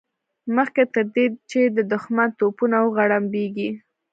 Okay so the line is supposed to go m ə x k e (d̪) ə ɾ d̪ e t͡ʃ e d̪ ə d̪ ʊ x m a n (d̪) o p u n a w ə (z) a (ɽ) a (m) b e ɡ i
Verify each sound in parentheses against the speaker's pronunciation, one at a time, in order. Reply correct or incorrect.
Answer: incorrect: t̪, incorrect: t̪, incorrect: ɣ, correct, correct

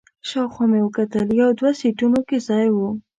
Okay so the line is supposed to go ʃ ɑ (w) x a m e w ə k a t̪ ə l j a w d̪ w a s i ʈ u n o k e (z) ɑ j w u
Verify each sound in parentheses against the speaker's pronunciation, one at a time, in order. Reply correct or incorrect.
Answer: correct, correct

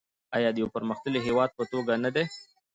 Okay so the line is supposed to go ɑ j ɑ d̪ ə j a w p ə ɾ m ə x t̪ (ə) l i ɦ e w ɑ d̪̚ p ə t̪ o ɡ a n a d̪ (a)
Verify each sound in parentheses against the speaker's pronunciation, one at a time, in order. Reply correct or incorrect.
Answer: correct, incorrect: e

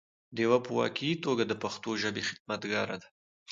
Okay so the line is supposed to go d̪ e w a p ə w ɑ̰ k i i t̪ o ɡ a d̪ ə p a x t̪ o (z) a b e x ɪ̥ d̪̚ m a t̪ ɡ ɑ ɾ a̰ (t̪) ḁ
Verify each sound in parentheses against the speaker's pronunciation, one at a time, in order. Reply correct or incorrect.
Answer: incorrect: ʒ, incorrect: d̪

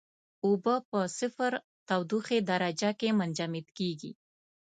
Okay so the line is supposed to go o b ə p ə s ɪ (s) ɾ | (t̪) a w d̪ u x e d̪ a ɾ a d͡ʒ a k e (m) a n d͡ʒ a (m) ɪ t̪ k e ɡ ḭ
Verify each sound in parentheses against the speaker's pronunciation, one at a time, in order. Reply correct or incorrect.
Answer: incorrect: f, correct, correct, correct

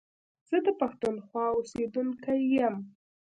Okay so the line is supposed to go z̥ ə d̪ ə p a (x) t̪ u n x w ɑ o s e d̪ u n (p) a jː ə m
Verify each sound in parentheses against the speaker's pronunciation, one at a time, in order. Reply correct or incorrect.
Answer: correct, incorrect: k

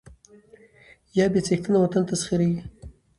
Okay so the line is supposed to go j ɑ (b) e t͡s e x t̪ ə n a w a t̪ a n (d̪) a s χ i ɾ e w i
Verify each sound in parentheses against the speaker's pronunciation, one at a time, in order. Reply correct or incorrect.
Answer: correct, incorrect: t̪

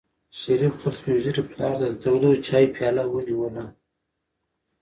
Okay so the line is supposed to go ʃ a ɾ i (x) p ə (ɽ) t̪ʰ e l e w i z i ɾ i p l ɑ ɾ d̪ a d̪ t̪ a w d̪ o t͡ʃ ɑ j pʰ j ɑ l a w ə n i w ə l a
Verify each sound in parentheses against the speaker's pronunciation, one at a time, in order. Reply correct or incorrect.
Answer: incorrect: f, incorrect: l

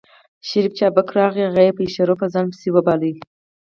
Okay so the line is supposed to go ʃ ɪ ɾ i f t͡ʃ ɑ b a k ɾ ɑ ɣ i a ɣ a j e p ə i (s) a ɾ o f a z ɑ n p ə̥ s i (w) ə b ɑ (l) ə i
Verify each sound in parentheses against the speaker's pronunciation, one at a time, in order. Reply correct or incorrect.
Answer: incorrect: ʃ, correct, correct

